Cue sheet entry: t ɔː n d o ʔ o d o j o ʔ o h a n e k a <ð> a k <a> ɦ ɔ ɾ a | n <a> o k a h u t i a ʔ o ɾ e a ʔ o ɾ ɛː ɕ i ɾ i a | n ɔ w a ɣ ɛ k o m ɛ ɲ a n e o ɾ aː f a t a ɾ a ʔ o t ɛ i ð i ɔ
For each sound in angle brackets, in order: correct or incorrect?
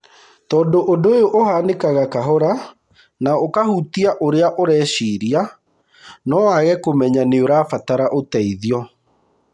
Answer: incorrect: ɣ, correct, correct

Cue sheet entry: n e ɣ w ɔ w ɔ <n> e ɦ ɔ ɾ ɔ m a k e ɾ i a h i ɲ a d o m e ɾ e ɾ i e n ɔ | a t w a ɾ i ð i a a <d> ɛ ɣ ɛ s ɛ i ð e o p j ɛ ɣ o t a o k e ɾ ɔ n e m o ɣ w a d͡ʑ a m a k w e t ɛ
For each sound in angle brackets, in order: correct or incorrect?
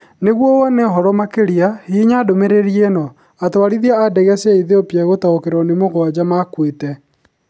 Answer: correct, correct

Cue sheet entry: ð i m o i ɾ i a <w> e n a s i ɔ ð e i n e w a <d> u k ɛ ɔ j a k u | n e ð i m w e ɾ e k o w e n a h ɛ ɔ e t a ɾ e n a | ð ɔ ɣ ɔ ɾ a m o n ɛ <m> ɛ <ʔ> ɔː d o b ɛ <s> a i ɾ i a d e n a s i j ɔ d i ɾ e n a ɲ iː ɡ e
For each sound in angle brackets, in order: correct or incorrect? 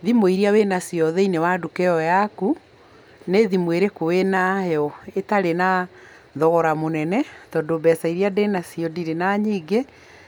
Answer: correct, correct, incorrect: n, incorrect: t, correct

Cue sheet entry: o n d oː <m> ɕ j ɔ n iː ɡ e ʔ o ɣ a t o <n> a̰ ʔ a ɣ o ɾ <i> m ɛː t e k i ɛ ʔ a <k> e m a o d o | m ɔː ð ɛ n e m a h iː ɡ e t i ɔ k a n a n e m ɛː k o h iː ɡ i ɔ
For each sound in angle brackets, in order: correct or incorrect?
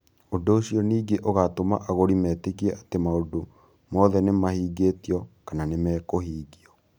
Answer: incorrect: none, incorrect: m, correct, incorrect: t

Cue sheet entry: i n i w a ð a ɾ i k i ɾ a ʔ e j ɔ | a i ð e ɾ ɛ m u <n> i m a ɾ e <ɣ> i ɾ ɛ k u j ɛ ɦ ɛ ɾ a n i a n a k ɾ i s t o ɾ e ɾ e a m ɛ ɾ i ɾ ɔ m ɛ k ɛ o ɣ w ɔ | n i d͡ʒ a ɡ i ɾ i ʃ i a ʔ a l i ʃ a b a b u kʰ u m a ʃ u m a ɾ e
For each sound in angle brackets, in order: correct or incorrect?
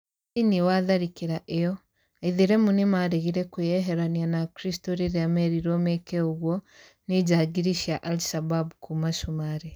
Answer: correct, correct

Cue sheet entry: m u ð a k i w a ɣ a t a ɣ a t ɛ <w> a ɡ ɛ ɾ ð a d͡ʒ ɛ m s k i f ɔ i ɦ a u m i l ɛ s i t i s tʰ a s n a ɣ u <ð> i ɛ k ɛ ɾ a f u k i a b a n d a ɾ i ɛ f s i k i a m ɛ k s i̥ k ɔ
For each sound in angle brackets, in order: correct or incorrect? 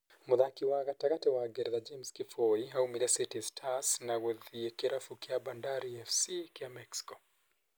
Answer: correct, correct

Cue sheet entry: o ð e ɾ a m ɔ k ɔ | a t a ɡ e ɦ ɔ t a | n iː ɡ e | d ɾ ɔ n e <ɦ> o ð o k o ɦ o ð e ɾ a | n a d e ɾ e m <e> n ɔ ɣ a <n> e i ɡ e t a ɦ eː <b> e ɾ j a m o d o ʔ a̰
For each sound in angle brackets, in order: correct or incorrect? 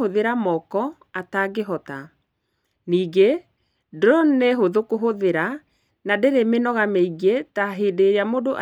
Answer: correct, correct, incorrect: m, incorrect: d

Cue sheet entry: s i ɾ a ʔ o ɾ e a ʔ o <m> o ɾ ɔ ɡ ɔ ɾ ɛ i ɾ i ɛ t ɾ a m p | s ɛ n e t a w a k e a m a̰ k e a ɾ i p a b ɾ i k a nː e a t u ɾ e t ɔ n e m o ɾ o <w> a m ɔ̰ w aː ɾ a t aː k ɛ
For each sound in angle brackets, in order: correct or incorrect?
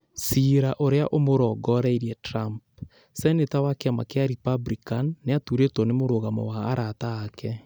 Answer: correct, incorrect: ɣ

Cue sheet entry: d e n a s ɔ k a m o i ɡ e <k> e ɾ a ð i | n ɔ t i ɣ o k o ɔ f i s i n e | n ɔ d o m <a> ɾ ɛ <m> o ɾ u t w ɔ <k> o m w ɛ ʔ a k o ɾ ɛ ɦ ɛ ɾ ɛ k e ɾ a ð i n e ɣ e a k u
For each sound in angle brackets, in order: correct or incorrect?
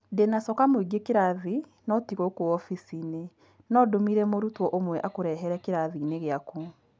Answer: correct, incorrect: i, correct, incorrect: ʔ

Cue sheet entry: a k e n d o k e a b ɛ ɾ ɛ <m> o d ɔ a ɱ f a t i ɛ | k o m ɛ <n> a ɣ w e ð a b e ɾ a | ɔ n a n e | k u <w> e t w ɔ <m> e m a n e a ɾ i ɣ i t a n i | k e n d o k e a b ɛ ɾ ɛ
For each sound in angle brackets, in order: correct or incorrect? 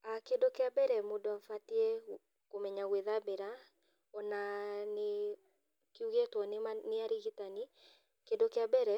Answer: correct, incorrect: ɲ, incorrect: ɣ, incorrect: n

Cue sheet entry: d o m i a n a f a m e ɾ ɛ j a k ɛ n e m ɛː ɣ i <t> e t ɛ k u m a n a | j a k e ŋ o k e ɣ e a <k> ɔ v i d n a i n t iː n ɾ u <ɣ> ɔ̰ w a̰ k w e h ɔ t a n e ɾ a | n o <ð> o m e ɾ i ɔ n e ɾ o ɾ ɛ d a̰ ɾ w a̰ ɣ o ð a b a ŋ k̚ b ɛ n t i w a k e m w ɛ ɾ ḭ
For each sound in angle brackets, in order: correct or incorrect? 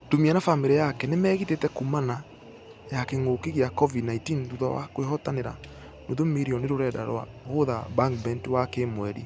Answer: correct, correct, incorrect: ð, correct

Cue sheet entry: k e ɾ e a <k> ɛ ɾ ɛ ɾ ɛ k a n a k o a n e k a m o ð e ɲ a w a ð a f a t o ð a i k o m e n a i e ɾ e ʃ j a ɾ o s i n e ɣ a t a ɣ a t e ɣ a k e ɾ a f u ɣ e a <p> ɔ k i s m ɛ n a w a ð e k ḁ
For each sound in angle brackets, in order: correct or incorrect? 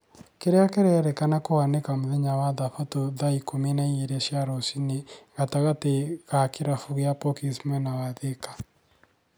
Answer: correct, correct

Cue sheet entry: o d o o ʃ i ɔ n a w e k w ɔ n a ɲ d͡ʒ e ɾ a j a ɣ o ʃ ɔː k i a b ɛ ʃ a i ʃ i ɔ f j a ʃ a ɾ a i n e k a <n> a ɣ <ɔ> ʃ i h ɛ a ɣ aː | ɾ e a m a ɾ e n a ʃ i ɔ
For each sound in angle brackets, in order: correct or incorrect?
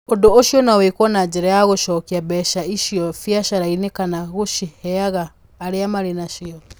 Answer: correct, incorrect: o

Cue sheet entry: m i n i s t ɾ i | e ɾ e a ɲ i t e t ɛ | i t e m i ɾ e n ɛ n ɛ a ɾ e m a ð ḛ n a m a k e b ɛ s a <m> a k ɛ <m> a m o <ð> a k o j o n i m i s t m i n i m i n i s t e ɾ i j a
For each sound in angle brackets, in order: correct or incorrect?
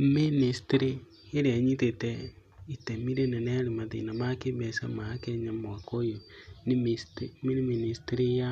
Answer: correct, incorrect: ɲ, incorrect: none

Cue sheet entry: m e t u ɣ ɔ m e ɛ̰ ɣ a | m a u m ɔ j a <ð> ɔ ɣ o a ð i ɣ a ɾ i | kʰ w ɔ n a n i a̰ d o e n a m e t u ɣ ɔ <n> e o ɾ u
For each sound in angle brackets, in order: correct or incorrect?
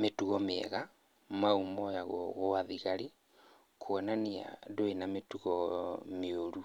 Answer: incorrect: ɣ, incorrect: m

